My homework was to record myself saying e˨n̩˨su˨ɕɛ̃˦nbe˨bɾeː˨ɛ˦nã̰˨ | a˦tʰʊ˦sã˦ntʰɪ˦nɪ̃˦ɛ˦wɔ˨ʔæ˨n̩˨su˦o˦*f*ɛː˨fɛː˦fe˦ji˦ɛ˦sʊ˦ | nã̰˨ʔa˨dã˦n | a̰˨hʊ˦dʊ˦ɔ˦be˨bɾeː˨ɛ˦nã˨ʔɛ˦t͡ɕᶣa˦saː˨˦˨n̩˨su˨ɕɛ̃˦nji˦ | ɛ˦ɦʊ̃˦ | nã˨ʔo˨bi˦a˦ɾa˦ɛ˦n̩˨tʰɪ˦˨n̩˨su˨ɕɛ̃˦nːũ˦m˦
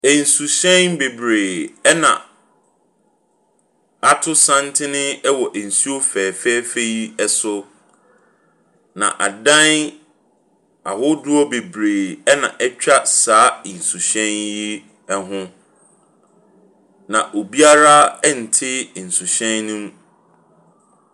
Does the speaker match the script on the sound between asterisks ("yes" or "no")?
yes